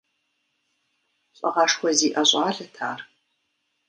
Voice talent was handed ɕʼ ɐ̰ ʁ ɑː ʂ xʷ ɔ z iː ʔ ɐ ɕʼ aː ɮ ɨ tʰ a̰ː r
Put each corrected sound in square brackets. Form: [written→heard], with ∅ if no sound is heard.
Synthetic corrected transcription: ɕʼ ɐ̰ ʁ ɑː ʂ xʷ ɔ z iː ʔ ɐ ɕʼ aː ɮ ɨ tʰ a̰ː r